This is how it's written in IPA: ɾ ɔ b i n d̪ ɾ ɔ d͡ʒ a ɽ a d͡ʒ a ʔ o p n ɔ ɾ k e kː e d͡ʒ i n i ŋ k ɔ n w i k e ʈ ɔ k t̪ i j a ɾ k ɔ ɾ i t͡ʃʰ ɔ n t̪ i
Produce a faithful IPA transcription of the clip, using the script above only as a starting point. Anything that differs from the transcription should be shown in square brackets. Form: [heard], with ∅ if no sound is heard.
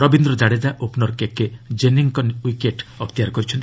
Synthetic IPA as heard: ɾ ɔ b i n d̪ ɾ ɔ d͡ʒ a ɽ [e] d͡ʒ a ʔ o p n ɔ ɾ k e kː e d͡ʒ [e] n i ŋ k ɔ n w i k e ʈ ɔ k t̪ i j a ɾ k ɔ ɾ i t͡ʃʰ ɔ n t̪ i